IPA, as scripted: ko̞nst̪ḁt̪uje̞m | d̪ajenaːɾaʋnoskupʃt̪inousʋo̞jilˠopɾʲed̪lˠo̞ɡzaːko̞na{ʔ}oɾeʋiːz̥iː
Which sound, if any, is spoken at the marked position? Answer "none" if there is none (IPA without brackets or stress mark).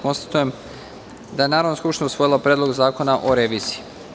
ʔ